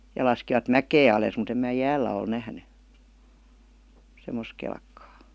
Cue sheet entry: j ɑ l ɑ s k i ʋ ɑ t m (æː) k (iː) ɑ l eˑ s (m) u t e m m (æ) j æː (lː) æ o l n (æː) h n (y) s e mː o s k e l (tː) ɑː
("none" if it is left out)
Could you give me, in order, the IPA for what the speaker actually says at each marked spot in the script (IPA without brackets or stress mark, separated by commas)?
æ, eː, m, æː, lː, æ, y, kː